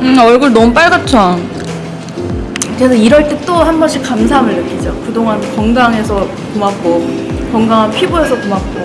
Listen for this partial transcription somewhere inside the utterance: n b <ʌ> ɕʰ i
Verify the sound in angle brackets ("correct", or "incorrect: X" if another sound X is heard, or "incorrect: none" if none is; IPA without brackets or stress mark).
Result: correct